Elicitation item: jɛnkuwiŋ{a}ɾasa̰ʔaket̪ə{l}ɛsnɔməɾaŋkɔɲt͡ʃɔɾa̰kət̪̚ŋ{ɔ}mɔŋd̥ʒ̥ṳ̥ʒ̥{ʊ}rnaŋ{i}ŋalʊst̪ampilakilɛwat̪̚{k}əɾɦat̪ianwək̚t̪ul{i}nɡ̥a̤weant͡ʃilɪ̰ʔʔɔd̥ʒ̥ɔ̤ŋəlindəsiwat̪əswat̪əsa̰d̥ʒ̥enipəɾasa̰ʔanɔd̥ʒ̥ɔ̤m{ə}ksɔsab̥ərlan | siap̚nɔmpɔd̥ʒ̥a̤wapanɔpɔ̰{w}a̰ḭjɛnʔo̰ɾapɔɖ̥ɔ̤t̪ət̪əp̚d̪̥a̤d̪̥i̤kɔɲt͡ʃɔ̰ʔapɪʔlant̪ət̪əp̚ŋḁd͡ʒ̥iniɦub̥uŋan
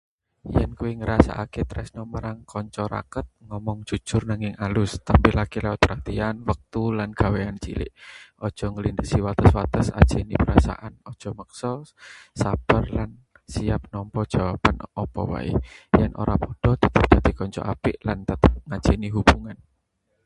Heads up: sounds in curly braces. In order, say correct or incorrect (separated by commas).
incorrect, incorrect, correct, correct, incorrect, incorrect, incorrect, correct, correct